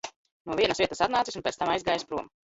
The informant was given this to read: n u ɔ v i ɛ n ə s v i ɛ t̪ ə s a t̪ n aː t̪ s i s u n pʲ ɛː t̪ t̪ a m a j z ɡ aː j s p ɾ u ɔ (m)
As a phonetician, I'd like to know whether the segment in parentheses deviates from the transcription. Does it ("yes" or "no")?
no